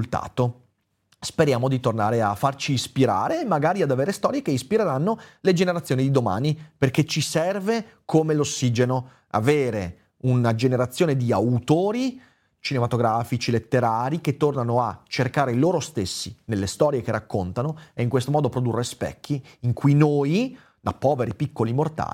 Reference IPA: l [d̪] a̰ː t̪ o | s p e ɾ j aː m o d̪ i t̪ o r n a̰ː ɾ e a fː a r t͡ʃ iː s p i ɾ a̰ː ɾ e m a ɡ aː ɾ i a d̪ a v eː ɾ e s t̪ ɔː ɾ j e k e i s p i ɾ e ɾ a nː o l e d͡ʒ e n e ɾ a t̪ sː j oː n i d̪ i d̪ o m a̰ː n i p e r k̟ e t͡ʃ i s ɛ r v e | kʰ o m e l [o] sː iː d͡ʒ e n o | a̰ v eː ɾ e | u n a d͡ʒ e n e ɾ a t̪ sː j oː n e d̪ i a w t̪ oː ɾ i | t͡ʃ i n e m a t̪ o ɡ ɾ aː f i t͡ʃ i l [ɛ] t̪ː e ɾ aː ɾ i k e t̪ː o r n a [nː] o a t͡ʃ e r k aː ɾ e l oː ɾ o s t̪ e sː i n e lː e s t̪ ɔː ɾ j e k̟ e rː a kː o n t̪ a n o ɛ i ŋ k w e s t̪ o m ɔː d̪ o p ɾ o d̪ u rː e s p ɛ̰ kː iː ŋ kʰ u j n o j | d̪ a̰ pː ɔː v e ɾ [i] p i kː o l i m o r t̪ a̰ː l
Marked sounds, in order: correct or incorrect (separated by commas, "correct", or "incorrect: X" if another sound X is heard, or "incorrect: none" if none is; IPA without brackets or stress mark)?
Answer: incorrect: t̪, correct, incorrect: e, incorrect: n, correct